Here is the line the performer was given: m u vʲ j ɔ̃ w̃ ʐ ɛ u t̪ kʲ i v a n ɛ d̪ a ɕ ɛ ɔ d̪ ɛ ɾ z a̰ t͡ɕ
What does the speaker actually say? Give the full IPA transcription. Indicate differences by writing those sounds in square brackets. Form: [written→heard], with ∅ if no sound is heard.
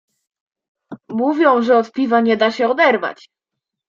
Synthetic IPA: m u vʲ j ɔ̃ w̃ ʐ ɛ [u→ɔ] t̪ [kʲ→pʲ] i v a [n→ɲ] ɛ d̪ a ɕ ɛ ɔ d̪ ɛ ɾ [z→v] a̰ t͡ɕ